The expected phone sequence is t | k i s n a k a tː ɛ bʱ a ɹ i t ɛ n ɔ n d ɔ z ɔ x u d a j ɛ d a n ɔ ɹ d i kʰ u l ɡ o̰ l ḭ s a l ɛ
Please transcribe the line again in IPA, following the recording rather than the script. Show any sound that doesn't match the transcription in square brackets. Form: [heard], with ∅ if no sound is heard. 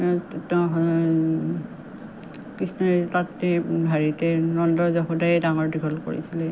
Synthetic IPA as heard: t | k i s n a [t] a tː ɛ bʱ a ɹ i t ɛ n ɔ n d ɔ z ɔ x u d a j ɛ d a [ŋ] ɔ ɹ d i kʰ [ɔ] l [k] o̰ [ɹ] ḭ s [i] l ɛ